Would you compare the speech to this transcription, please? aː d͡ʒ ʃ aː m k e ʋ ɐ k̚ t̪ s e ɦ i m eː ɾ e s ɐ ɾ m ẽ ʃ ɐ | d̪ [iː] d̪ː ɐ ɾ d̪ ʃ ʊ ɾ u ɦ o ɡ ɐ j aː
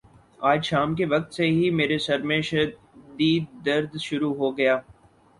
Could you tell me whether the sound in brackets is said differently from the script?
no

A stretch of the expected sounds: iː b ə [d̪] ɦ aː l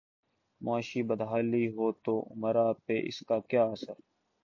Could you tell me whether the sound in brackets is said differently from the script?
no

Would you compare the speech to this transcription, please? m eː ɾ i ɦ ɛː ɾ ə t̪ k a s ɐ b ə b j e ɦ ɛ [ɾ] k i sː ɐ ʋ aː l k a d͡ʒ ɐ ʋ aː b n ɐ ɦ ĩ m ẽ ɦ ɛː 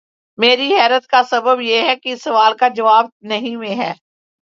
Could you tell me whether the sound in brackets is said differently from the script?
yes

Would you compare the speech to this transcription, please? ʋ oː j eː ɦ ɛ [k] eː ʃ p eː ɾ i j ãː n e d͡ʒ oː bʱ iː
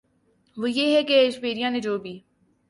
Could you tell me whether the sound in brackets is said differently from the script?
no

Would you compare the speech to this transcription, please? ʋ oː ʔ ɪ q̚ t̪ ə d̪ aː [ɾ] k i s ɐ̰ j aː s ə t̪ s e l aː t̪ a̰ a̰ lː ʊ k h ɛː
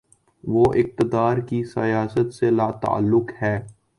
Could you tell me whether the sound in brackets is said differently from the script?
no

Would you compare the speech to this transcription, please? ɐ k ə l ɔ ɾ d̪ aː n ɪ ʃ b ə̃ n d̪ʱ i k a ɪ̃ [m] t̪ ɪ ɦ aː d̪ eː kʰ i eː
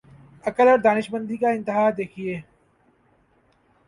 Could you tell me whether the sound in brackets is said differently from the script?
yes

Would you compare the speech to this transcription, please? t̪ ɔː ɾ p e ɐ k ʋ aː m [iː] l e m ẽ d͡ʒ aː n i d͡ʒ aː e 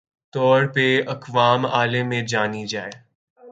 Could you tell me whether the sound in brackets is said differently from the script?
yes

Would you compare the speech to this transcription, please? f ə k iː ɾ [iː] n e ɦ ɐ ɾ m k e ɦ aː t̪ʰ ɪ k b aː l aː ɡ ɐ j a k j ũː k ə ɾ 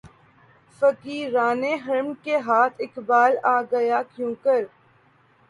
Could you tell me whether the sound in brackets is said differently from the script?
yes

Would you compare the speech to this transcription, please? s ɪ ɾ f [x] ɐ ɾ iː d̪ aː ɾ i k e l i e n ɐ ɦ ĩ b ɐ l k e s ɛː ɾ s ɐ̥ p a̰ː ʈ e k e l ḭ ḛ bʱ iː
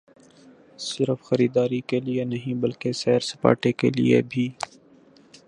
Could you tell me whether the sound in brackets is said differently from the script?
no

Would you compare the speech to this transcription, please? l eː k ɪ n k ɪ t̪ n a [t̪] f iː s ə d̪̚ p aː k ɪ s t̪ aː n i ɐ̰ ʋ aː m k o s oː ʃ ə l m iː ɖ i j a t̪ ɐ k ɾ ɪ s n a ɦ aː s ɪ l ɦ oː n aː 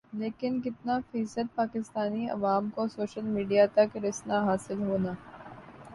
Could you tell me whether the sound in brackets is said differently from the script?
yes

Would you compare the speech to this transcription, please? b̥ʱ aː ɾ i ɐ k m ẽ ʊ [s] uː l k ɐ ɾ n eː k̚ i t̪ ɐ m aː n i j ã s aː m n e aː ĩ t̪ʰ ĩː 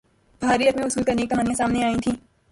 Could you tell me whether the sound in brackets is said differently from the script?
no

